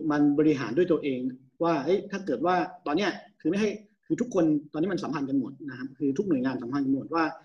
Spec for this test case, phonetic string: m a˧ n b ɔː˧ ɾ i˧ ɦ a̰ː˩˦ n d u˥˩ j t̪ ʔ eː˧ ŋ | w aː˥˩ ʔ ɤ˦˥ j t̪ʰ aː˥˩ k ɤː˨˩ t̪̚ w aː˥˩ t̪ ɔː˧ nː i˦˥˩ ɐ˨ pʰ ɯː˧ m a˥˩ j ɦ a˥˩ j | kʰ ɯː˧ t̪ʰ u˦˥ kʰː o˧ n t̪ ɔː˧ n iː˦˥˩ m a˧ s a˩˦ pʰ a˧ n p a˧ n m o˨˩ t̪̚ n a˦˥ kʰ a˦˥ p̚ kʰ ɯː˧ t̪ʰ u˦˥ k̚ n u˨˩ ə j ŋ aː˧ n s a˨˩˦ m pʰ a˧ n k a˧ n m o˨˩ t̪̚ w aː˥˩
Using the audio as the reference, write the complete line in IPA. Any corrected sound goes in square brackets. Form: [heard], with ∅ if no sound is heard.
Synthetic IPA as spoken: m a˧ n b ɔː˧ ɾ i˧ ɦ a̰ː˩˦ n d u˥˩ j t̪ ʔ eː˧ ŋ | w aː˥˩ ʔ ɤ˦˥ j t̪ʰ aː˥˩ k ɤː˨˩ t̪̚ w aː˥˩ t̪ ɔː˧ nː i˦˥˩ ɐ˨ [kʰ] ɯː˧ m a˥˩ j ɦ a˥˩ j | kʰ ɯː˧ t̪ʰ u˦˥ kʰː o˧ n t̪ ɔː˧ n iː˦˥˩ m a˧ s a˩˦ pʰ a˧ n [k] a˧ n m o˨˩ t̪̚ n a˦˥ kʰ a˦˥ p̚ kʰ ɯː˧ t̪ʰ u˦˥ k̚ n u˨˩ ə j ŋ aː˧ n s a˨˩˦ m pʰ a˧ n k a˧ n m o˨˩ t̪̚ w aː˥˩